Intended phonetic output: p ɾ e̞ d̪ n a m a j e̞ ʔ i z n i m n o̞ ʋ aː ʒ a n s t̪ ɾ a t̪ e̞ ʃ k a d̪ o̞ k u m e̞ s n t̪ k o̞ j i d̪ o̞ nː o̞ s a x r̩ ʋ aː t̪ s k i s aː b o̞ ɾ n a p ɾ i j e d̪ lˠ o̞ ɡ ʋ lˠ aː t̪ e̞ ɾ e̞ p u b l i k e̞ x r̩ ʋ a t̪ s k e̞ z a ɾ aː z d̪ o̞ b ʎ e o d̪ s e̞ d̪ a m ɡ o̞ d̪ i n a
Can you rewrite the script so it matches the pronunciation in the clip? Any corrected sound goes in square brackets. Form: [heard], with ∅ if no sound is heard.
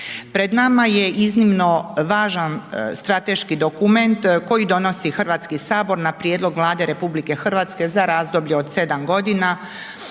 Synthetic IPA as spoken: p ɾ e̞ d̪ n a m a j e̞ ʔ i z n i m n o̞ ʋ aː ʒ a n s t̪ ɾ a t̪ e̞ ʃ k [i] d̪ o̞ k u m e̞ [∅] n t̪ k o̞ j i d̪ o̞ [n] o̞ s [i] x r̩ ʋ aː t̪ s k i s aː b o̞ ɾ n a p ɾ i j e d̪ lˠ o̞ ɡ ʋ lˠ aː [d̪] e̞ ɾ e̞ p u b l i k e̞ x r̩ ʋ a t̪ s k e̞ z a ɾ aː z d̪ o̞ b ʎ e o d̪ s e̞ d̪ a m ɡ o̞ d̪ i n a